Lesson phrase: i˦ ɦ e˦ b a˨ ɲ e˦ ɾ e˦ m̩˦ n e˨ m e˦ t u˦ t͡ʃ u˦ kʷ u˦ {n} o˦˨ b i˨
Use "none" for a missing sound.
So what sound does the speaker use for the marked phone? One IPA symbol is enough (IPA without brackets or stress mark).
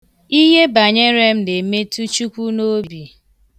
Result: n